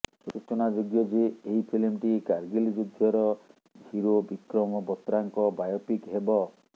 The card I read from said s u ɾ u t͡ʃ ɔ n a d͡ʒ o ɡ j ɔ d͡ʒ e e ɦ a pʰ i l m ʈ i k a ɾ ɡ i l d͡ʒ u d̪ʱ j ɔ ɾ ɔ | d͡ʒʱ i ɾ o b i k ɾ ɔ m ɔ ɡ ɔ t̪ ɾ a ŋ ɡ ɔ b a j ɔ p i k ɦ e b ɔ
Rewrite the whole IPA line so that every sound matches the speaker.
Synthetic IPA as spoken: s u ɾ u t͡ʃ ɔ n a d͡ʒ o ɡ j ɔ d͡ʒ e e ɦ i pʰ i l m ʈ i k a ɾ ɡ i l d͡ʒ u d̪ʱ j ɔ ɾ ɔ | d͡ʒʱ i ɾ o b i k ɾ ɔ m ɔ b ɔ t̪ ɾ a ŋ k ɔ b a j ɔ p i k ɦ e b ɔ

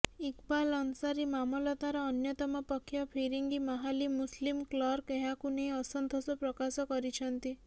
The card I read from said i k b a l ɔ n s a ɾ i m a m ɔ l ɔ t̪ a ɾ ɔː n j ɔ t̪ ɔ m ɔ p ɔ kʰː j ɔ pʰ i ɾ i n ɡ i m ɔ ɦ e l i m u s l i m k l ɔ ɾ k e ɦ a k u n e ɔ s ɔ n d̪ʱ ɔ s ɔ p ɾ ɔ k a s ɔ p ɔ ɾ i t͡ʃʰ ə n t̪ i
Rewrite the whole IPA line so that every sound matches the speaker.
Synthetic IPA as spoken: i k b a l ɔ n s a ɾ i m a m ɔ l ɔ t̪ a ɾ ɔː n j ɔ t̪ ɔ m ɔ p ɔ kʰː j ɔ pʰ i ɾ i ŋ ɡ i m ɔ ɦ a l i m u s l i m k l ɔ ɾ k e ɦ a k u n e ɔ s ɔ n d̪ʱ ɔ s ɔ p ɾ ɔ k a s ɔ k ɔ ɾ i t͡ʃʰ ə n t̪ i

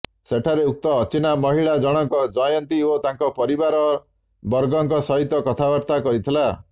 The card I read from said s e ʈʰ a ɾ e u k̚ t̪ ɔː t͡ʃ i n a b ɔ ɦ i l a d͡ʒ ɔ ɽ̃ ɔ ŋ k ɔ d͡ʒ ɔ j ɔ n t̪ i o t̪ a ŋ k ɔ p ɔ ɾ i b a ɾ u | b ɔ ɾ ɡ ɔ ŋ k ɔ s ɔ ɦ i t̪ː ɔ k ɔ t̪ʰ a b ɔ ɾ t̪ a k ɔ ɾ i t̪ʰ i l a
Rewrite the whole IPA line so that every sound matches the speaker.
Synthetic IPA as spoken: s e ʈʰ a ɾ e u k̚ t̪ ɔː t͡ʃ i n a m ɔ ɦ i ɭ a d͡ʒ ɔ ɽ̃ ɔ ŋ k ɔ d͡ʒ ɔ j ɔ n t̪ i o t̪ a ŋ k ɔ p ɔ ɾ i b a ɾ ɔ | b ɔ ɾ ɡ ɔ ŋ k ɔ s ɔ ɦ i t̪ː ɔ k ɔ t̪ʰ a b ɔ ɾ t̪ a k ɔ ɾ i t̪ʰ i l a

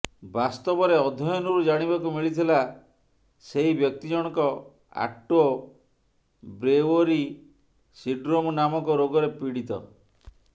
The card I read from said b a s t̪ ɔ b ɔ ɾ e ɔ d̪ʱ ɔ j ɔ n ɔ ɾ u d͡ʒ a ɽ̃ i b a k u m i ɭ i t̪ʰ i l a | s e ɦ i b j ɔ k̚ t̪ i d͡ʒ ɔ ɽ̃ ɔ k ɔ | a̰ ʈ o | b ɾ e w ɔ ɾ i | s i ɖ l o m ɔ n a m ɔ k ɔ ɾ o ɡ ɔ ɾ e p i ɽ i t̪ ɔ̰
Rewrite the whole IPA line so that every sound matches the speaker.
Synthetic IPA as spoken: b a s t̪ ɔ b ɔ ɾ e ɔ d̪ʱ ɔ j ɔ n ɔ ɾ u d͡ʒ a ɽ̃ i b a k u m i ɭ i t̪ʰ i l a | s e ɦ i b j ɔ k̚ t̪ i d͡ʒ ɔ ɽ̃ ɔ k ɔ | a̰ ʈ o | b ɾ e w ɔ ɾ i | s i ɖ ɾ o m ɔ n a m ɔ k ɔ ɾ o ɡ ɔ ɾ e p i ɽ i t̪ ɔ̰

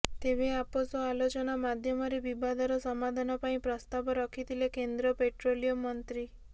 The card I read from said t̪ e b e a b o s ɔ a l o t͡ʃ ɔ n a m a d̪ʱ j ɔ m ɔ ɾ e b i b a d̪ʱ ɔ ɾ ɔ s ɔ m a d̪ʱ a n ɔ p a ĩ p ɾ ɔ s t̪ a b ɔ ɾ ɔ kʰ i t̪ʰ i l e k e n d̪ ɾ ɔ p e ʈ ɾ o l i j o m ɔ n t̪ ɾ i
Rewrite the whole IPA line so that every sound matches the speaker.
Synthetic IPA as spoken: t̪ e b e a p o s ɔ a l o t͡ʃ ɔ n a m a d̪ʱ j ɔ m ɔ ɾ e b i b a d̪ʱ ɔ ɾ ɔ s ɔ m a d̪ʱ a n ɔ p a ĩ p ɾ ɔ s t̪ a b ɔ ɾ ɔ kʰ i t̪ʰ i l e k e n d̪ ɾ ɔ p e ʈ ɾ o l i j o m ɔ n t̪ ɾ i

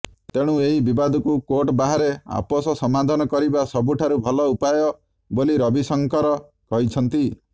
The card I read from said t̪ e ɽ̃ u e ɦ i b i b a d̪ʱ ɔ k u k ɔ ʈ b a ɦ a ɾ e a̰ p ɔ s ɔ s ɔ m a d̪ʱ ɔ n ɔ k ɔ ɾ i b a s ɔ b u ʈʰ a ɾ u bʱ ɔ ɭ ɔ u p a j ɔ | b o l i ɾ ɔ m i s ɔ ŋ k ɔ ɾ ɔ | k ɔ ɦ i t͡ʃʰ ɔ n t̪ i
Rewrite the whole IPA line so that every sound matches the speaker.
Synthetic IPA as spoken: t̪ e ɽ̃ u e ɦ i b i b a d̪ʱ ɔ k u k o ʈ b a ɦ a ɾ e a̰ p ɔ s ɔ s ɔ m a d̪ʱ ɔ n ɔ k ɔ ɾ i b a s ɔ b u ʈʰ a ɾ u bʱ ɔ l ɔ u p a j ɔ | b o l i ɾ ɔ b i s ɔ ŋ k ɔ ɾ ɔ | k ɔ ɦ i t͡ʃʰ ɔ n t̪ i

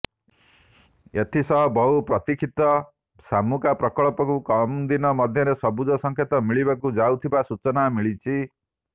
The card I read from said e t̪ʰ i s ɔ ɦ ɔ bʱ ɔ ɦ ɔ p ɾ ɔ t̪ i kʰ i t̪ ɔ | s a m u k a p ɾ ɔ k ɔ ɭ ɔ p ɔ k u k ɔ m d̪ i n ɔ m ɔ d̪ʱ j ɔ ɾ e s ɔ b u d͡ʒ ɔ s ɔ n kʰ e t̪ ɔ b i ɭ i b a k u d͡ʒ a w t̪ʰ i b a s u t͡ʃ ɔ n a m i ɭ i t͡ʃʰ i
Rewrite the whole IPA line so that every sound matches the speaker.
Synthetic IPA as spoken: e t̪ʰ i s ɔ ɦ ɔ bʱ ɔ ɦ u p ɾ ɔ t̪ i kʰ i t̪ ɔ | s a m u k a p ɾ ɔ k ɔ ɭ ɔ p ɔ k u k ɔ m d̪ i n ɔ m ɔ d̪ʱ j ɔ ɾ e s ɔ b u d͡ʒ ɔ s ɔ ŋ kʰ e t̪ ɔ m i ɭ i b a k u d͡ʒ a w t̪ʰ i b a s u t͡ʃ ɔ n a m i ɭ i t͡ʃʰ i

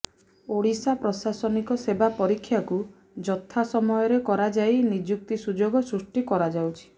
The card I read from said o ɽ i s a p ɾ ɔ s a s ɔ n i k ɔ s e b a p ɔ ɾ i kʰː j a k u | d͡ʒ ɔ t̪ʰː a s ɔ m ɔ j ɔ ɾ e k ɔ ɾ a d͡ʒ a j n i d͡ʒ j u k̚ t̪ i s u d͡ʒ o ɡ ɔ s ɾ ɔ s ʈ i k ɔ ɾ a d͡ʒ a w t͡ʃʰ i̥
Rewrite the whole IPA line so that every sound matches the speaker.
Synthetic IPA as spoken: o ɽ i s a p ɾ ɔ s a s ɔ n i k ɔ s e b a p ɔ ɾ i kʰː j a k u | d͡ʒ ɔ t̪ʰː a s ɔ m ɔ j ɔ ɾ e k ɔ ɾ a d͡ʒ a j n i d͡ʒ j u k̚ t̪ i s u d͡ʒ o ɡ ɔ s ɾ u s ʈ i k ɔ ɾ a d͡ʒ a w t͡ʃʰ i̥

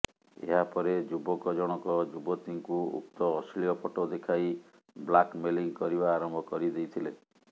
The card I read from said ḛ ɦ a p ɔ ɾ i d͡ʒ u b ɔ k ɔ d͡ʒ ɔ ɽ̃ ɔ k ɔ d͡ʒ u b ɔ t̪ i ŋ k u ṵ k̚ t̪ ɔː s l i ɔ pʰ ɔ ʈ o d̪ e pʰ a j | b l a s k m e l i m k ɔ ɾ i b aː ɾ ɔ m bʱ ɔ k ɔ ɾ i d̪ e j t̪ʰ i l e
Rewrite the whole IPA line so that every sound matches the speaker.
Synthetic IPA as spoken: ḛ ɦ a p ɔ ɾ e d͡ʒ u b ɔ k ɔ d͡ʒ ɔ ɽ̃ ɔ k ɔ d͡ʒ u b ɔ t̪ i ŋ k u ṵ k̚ t̪ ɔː s l i ɔ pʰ ɔ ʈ o d̪ e kʰ a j | b l a k m e l i ŋ k ɔ ɾ i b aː ɾ ɔ m bʱ ɔ k ɔ ɾ i d̪ e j t̪ʰ i l e

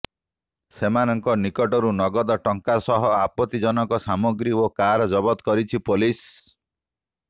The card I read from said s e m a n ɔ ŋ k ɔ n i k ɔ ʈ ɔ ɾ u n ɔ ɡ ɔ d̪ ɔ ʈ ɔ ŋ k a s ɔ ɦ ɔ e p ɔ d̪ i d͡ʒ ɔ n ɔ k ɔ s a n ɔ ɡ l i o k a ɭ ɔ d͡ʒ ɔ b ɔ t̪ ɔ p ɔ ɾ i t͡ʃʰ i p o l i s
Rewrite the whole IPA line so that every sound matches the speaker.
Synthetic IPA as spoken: s e m a n ɔ ŋ k ɔ n i k ɔ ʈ ɔ ɾ u n ɔ ɡ ɔ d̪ ɔ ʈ ɔ ŋ k a s ɔ ɦ ɔ a p ɔ t̪ i d͡ʒ ɔ n ɔ k ɔ s a m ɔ ɡ ɾ i o k a ɾ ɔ d͡ʒ ɔ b ɔ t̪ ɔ k ɔ ɾ i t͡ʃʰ i p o l i s

